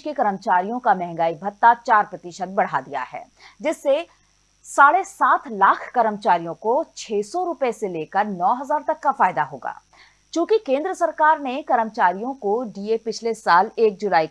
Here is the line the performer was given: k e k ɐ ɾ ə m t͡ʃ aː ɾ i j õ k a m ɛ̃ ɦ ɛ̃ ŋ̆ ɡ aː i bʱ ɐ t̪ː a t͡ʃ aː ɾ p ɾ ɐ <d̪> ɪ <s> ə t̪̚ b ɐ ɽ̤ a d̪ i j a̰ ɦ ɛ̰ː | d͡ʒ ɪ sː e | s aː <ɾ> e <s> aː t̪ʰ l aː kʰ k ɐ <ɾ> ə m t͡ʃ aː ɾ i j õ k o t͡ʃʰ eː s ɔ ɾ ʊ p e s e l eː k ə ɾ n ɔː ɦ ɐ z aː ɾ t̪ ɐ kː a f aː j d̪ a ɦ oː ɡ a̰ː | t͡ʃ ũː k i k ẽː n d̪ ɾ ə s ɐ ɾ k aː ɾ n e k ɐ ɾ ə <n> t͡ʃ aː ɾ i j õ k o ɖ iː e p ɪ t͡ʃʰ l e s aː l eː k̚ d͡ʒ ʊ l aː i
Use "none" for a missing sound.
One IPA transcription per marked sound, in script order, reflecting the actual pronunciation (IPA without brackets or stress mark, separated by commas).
t̪, ʃ, ɽ, s, ɾ, m